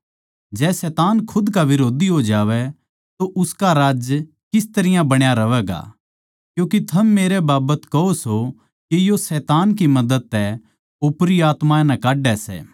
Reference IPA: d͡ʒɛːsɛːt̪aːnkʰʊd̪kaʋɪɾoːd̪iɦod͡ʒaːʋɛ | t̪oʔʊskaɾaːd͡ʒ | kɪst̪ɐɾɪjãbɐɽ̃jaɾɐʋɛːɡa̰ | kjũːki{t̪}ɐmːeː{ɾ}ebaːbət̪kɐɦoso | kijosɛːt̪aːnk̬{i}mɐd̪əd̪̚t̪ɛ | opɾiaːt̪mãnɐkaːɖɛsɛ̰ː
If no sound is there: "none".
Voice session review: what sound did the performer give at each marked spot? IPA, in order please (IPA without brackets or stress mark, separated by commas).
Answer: t̪ʰ, ɾ, i